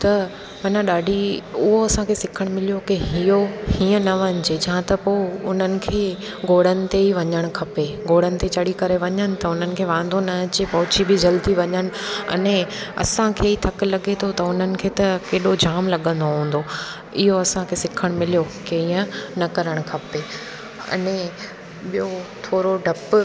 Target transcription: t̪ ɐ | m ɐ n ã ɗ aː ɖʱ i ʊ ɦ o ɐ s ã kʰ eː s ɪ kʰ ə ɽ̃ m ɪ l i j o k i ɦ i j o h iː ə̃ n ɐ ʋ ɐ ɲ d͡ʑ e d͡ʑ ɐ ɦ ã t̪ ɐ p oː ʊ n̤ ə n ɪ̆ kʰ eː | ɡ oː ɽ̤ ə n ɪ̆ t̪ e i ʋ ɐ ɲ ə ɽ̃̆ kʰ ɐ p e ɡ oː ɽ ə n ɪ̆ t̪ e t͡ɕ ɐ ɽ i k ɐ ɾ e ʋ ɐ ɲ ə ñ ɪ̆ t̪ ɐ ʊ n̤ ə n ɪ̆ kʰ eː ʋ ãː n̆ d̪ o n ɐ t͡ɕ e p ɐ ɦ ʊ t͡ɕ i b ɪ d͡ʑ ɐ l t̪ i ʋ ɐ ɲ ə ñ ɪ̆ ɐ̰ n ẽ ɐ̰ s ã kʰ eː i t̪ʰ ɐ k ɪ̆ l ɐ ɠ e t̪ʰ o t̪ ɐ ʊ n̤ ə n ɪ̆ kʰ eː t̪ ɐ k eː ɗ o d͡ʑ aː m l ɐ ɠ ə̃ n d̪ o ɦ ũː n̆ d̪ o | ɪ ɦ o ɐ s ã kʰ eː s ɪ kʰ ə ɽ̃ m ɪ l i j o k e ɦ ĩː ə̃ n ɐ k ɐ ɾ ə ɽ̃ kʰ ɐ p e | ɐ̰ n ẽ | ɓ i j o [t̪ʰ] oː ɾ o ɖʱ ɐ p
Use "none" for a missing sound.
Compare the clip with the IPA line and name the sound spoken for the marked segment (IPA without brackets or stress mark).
t̪ʰ